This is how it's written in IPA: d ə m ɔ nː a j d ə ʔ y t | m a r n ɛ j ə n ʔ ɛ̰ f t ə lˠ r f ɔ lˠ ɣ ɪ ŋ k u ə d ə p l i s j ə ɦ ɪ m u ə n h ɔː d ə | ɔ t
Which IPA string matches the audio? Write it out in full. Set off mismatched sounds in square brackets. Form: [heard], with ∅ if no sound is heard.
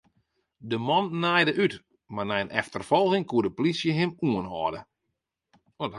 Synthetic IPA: d ə m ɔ nː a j d ə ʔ y t | m a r n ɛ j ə n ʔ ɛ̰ f t ə [∅] r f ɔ lˠ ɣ ɪ ŋ k u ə d ə p l i s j ə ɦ ɪ m u ə n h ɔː d ə | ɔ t

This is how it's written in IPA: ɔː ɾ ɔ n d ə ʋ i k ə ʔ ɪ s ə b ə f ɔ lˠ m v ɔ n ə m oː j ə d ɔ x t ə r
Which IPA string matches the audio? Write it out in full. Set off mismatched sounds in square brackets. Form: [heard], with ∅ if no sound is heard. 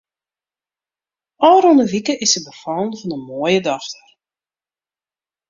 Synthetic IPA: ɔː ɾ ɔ n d ə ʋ i k ə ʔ ɪ s ə b ə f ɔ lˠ [n] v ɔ n ə m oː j ə d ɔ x t ə r

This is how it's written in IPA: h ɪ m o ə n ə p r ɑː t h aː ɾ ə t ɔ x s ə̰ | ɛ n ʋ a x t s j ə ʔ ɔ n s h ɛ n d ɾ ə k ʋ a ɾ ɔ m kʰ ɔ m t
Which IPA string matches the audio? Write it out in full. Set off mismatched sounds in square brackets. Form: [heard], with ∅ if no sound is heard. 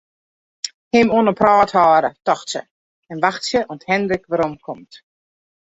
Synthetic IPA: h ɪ m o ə n ə p r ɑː t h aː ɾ ə t ɔ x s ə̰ | ɛ n ʋ a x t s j ə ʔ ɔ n [t] h ɛ n d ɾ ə k ʋ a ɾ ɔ m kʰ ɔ m t

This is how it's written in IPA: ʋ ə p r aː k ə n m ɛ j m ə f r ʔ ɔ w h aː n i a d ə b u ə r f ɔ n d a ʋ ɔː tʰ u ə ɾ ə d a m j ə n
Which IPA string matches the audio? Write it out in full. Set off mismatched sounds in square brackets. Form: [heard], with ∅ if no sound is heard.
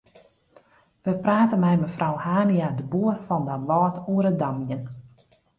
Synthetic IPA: ʋ ə p r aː [t] ə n m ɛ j m ə f r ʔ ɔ w h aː n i a d ə b u ə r f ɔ n d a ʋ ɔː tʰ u ə ɾ ə d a m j ə n

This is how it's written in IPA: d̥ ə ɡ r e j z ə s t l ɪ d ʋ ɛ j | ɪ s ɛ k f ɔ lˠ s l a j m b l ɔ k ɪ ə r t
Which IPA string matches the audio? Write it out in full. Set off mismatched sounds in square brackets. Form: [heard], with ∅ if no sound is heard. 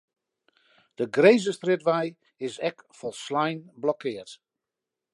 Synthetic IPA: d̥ ə ɡ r e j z ə s t [r] ɪ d ʋ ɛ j | ɪ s ɛ k f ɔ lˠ s l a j [n] b l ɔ k ɪ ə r t

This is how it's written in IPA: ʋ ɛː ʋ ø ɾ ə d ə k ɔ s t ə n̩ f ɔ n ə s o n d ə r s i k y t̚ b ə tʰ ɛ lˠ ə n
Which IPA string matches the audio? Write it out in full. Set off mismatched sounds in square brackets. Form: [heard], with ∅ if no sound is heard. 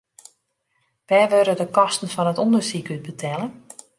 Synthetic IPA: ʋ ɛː ʋ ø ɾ ə d ə k ɔ s t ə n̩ f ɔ n ə [t] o n d ə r s i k y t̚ b ə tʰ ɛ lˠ ə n

